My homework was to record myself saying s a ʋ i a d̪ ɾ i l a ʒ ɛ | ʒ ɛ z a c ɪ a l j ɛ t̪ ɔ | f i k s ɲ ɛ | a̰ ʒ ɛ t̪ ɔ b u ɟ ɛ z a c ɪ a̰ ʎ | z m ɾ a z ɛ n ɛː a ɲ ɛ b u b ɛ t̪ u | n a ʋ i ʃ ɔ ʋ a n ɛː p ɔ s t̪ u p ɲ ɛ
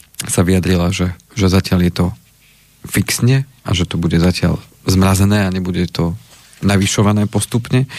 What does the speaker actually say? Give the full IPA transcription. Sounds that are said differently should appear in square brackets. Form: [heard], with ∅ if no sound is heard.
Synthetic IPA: s a ʋ i a d̪ ɾ i l a ʒ ɛ | ʒ ɛ z a c ɪ a l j ɛ t̪ ɔ | f i k s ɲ ɛ | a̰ ʒ ɛ t̪ ɔ b u ɟ ɛ z a c ɪ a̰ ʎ | z m ɾ a z ɛ n ɛː a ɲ ɛ b u [ɟ] ɛ t̪ [ɔ] | n a ʋ i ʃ ɔ ʋ a n ɛː p ɔ s t̪ u p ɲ ɛ